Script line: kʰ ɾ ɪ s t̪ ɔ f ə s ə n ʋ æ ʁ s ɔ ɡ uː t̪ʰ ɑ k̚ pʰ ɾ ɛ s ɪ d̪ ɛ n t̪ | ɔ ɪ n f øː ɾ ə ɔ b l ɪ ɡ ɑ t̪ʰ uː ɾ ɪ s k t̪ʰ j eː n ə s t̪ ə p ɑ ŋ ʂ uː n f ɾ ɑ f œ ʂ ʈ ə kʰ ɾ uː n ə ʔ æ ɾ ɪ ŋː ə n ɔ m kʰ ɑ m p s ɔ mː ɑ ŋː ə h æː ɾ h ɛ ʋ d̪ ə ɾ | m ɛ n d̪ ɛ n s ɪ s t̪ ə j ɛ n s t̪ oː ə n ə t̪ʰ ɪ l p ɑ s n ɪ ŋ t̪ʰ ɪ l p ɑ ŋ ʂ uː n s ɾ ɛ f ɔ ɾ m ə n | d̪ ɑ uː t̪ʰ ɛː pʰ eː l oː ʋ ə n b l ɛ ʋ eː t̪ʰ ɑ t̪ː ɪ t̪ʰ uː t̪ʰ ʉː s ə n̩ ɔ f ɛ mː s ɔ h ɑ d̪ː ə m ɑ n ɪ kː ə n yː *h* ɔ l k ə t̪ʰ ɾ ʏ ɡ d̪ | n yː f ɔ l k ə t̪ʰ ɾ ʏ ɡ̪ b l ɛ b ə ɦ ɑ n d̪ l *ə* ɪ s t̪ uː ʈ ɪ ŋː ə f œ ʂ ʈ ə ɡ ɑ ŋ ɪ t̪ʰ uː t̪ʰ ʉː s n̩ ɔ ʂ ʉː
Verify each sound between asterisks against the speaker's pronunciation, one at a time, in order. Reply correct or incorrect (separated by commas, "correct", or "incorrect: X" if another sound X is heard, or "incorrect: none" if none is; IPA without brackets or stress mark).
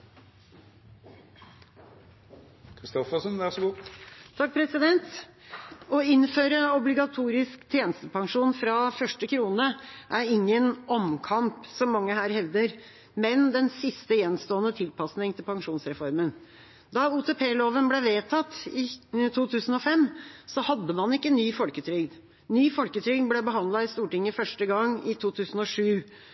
incorrect: f, incorrect: ɑ